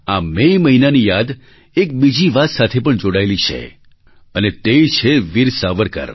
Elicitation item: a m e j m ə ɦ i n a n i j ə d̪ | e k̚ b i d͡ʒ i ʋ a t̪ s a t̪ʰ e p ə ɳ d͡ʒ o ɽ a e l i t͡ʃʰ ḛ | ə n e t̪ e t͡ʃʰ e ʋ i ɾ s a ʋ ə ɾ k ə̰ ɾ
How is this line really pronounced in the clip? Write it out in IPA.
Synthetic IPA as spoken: a m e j m ə ɦ i n a n i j a d̪ | e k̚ b i d͡ʒ i ʋ a t̪ s a t̪ʰ e p ə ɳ d͡ʒ o ɽ a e l i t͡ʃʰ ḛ | ə n e t̪ e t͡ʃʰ e ʋ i ɾ s a ʋ ə ɾ k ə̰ ɾ